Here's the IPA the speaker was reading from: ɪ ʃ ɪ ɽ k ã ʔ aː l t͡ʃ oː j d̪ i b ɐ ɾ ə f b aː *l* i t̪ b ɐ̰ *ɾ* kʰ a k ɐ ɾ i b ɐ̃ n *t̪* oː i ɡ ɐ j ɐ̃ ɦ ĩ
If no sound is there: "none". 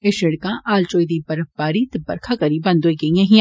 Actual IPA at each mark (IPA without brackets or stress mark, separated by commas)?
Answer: ɾ, ɾ, d̪